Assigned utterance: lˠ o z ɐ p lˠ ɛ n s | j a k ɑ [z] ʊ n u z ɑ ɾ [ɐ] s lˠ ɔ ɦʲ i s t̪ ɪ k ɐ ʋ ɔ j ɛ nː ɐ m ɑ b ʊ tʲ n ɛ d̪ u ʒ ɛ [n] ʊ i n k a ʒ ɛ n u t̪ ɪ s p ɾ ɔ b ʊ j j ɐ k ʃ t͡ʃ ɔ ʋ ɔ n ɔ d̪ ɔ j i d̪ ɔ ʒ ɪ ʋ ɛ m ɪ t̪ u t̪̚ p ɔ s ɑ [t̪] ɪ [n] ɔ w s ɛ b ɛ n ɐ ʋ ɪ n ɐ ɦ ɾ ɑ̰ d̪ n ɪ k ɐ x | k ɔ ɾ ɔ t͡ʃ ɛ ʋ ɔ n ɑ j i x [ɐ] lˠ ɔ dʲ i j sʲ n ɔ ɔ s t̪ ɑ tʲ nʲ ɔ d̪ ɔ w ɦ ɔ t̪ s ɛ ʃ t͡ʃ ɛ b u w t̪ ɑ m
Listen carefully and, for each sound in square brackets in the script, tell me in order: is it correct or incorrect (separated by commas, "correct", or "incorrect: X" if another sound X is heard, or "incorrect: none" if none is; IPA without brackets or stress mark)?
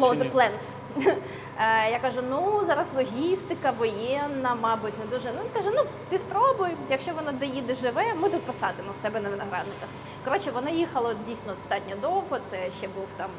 incorrect: ʒ, correct, correct, incorrect: d̪, incorrect: m, correct